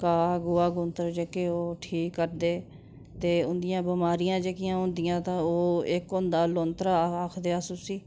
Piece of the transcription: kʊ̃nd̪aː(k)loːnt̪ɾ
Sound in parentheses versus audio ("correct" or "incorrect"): incorrect